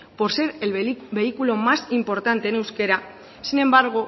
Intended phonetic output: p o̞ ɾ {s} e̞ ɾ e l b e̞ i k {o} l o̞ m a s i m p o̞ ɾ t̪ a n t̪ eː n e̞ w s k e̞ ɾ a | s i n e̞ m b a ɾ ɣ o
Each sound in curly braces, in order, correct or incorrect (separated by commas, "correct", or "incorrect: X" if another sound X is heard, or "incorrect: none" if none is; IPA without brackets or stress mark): correct, incorrect: u